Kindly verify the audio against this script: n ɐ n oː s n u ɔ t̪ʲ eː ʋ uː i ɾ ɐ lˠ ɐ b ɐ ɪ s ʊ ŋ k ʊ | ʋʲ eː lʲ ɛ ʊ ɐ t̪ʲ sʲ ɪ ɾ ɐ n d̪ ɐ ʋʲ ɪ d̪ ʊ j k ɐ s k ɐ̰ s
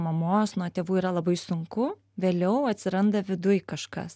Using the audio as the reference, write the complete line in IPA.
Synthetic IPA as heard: m ɐ m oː s n u ɔ t̪ʲ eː ʋ uː i ɾ ɐ lˠ ɐ b ɐ ɪ s ʊ ŋ k ʊ | ʋʲ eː lʲ ɛ ʊ ɐ t̪ʲ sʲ ɪ ɾ ɐ n d̪ ɐ ʋʲ ɪ d̪ ʊ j k ɐ ʃ k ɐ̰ s

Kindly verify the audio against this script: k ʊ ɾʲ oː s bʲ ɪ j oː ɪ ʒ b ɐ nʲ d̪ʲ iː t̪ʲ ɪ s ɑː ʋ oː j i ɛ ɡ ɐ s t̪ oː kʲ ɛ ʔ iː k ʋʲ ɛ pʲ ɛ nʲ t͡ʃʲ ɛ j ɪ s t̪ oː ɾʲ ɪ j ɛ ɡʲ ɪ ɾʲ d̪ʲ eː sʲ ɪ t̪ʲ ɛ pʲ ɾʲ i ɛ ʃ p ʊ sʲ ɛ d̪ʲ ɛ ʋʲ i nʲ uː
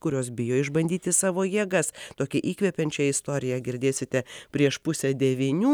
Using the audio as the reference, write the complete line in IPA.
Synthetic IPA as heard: k ʊ ɾʲ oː s bʲ ɪ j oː ɪ ʒ b ɐ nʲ d̪ʲ iː t̪ʲ ɪ s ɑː ʋ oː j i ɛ ɡ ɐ s t̪ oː kʲ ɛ ʔ iː k ʋʲ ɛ pʲ ɛ nʲ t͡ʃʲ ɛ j ɪ s t̪ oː ɾʲ ɪ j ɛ ɡʲ ɪ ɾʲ d̪ʲ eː sʲ ɪ t̪ʲ ɛ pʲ ɾʲ i ɛ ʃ p ʊ sʲ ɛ d̪ʲ ɛ ʋʲ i nʲ uː

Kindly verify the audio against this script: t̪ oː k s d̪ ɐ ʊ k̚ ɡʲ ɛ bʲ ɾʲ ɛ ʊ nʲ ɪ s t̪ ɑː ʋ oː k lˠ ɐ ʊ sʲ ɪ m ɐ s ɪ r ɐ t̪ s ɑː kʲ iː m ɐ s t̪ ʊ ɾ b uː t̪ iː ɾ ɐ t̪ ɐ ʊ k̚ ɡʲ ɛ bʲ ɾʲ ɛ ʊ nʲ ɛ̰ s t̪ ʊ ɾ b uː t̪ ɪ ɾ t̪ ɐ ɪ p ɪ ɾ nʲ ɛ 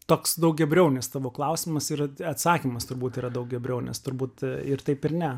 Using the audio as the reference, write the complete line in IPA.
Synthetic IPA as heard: t̪ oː k s d̪ ɐ ʊ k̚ ɡʲ ɛ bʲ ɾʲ ɛ ʊ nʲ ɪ s t̪ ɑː ʋ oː k lˠ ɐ ʊ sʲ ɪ m ɐ s ɪ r ɐ t̪ s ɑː kʲ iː m ɐ s t̪ ʊ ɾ b uː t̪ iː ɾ ɐ d̪ ɐ ʊ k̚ ɡʲ ɛ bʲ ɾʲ ɛ ʊ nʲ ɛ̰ s t̪ ʊ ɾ b uː t̪ ɪ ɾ t̪ ɐ ɪ p ɪ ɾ nʲ ɛ

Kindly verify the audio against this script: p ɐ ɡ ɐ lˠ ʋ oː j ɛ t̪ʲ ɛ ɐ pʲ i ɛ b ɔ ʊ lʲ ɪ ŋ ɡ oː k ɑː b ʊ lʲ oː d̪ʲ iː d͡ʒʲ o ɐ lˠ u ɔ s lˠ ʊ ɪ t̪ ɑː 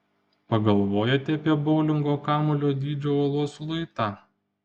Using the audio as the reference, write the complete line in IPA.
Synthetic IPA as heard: p ɐ ɡ ɐ lˠ ʋ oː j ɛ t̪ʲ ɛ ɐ pʲ i ɛ b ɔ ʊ lʲ ɪ ŋ ɡ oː k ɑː m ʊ lʲ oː d̪ʲ iː d͡ʒʲ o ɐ lˠ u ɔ s lˠ ʊ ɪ t̪ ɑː

